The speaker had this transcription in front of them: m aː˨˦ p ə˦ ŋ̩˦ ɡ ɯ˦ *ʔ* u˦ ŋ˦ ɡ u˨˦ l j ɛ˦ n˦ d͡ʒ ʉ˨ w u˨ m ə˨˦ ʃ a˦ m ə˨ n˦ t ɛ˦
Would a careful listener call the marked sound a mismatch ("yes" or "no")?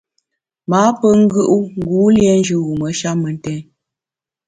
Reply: no